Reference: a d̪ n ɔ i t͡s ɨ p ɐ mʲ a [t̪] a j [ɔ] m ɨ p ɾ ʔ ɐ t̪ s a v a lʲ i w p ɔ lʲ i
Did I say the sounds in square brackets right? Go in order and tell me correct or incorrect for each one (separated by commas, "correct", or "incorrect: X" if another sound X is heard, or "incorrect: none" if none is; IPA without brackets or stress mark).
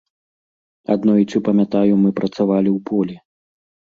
correct, incorrect: u